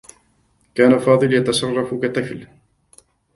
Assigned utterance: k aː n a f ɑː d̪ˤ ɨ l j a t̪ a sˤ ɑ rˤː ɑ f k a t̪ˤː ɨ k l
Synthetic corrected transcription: k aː n a f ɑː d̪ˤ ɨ l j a t̪ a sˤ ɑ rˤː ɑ f k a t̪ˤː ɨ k l